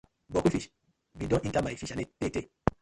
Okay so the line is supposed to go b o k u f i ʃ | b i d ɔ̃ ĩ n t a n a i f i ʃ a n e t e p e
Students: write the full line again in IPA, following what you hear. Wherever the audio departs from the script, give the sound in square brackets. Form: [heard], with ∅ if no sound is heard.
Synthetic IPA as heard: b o k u f i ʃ | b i d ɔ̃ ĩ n t a [m] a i f i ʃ a n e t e [t] e